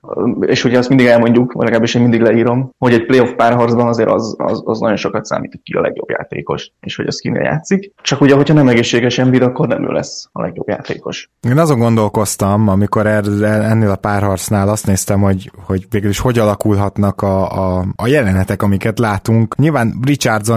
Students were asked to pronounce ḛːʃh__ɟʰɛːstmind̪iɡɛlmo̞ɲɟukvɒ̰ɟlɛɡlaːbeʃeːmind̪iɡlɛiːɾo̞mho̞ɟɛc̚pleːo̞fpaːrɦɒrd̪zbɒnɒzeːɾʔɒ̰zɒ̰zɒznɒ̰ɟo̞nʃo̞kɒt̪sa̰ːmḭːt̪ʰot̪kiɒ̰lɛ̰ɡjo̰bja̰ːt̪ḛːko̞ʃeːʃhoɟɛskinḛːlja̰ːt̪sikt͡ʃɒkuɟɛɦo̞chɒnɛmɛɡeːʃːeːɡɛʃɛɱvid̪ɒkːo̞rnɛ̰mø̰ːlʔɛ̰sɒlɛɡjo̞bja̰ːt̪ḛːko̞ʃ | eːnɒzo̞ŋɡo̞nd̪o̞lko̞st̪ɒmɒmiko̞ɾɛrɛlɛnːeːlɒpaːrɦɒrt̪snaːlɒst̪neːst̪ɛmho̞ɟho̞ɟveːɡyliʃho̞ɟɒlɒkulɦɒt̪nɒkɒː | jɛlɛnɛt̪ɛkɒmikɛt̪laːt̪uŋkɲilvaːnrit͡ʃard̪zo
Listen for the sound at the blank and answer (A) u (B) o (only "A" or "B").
B